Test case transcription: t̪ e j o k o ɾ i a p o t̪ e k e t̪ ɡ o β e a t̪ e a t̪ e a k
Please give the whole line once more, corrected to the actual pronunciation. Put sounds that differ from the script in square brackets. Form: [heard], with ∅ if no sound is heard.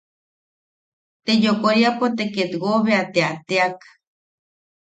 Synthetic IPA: t̪ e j o k o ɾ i a p o t̪ e k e t̪ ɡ o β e a t̪ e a t̪ e a k

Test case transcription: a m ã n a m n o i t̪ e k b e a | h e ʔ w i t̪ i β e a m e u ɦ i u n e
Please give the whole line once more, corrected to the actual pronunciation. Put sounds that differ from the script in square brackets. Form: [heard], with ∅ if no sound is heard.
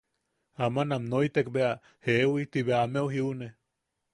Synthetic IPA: a m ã n a m n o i t̪ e k b e a | h e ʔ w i t̪ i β e a m e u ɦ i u n e

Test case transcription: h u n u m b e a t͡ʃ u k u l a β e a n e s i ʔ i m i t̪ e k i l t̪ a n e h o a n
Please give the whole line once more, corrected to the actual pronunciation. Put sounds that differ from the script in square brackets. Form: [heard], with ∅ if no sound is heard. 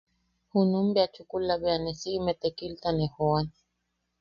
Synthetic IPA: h u n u m b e a t͡ʃ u k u l a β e a n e s i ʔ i m [e] t̪ e k i l t̪ a n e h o a n

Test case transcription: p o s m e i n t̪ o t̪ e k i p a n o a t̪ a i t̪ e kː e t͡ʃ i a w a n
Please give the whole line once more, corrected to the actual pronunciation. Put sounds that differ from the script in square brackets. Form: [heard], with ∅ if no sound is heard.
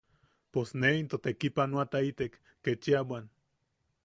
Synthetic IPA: p o s [n] e i n t̪ o t̪ e k i p a n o a t̪ a i t̪ e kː e t͡ʃ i a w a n

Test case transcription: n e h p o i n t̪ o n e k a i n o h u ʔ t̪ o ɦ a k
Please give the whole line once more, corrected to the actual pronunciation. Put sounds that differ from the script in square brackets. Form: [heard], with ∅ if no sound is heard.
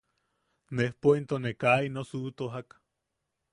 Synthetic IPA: n e h p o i n t̪ o n e k a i n o [s] u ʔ t̪ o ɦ a k

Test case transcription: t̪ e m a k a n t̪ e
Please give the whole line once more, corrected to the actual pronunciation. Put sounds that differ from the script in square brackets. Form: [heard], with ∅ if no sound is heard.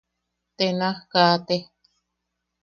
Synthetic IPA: t̪ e [n] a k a [∅] t̪ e

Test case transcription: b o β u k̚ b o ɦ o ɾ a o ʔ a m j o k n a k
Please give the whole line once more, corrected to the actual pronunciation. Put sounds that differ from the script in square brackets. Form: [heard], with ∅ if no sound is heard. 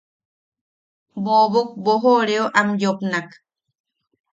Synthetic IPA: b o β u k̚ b o ɦ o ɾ [e] o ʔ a m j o [p] n a k

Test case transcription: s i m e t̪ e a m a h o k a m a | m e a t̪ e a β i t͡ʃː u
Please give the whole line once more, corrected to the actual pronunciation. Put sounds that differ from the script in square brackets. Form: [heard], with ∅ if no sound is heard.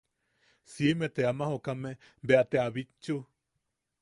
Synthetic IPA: s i m e t̪ e a m a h o k a m [e] | [b] e a t̪ e a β i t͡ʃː u

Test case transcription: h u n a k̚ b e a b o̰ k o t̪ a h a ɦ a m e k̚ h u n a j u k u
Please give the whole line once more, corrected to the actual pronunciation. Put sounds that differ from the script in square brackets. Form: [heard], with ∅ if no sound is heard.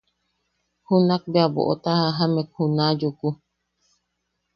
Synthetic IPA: h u n a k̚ b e a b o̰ [ʔ] o t̪ a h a ɦ a m e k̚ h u n a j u k u

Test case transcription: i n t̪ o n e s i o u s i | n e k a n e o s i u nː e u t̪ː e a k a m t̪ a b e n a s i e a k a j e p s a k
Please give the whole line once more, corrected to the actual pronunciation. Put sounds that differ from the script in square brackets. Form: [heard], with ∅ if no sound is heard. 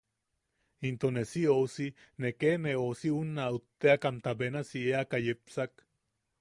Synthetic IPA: i n t̪ o n e s i o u s i | n e k [e] n e o s i u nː [a] u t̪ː e a k a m t̪ a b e n a s i e a k a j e p s a k

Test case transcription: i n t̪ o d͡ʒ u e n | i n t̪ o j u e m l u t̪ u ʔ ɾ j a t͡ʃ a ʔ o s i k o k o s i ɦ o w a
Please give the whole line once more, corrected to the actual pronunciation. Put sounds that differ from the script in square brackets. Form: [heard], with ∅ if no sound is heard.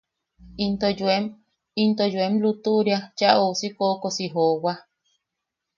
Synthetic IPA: i n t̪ o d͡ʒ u e [m] | i n t̪ o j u e m l u t̪ u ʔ ɾ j a t͡ʃ a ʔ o s i k o k o s i ɦ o w a

